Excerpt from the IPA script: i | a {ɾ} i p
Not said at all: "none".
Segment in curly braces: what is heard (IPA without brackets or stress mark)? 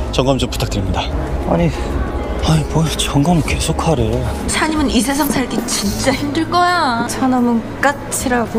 none